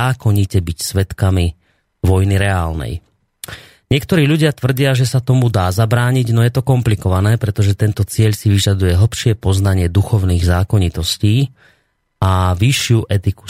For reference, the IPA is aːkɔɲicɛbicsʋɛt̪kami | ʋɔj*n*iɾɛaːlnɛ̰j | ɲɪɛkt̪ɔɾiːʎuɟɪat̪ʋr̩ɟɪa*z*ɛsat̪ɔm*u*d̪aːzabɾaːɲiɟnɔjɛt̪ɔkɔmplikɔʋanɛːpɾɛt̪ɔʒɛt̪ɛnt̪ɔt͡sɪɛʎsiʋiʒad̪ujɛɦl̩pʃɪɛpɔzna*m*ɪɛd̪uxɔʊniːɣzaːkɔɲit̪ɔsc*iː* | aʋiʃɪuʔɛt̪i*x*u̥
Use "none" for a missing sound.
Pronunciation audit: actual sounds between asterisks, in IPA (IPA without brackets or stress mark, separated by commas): n, ʒ, u, ɲ, iː, k